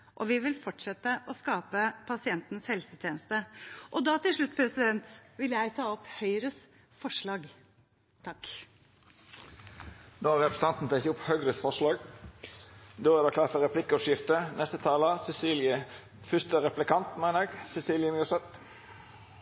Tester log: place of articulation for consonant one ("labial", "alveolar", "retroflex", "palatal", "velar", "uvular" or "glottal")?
glottal